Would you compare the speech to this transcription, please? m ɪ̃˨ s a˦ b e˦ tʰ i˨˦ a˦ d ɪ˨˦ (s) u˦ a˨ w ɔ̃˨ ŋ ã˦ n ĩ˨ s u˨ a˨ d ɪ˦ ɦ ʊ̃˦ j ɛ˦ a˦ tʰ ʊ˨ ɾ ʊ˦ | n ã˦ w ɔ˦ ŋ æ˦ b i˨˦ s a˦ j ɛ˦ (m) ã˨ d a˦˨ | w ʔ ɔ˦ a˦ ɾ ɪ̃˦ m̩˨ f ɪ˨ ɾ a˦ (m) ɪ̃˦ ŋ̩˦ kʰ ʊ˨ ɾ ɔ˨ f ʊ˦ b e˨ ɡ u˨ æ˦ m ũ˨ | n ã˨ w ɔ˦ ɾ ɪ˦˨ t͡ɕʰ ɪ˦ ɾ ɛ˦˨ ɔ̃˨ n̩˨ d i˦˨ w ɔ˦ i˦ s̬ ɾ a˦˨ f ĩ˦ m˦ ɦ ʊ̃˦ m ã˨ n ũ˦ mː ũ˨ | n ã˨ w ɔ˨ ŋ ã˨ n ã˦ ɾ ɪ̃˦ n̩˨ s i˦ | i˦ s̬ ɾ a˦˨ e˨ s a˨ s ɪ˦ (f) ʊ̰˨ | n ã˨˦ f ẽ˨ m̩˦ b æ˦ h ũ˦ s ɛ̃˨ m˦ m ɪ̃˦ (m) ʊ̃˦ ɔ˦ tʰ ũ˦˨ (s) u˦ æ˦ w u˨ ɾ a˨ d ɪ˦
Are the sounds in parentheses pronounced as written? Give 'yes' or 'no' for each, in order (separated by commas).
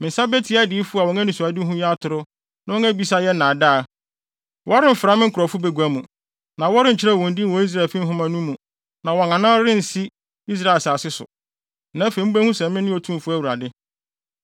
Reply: no, no, yes, no, no, no